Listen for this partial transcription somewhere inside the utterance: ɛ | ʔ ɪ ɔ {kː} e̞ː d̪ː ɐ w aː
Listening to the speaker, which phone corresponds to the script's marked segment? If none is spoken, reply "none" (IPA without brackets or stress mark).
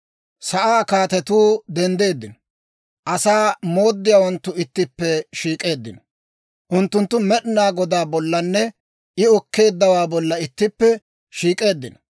kː